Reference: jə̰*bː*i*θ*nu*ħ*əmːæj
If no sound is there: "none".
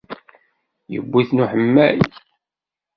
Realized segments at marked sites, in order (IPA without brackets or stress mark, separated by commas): bː, θ, ħ